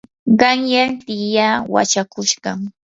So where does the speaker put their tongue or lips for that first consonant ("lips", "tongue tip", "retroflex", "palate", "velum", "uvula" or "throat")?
uvula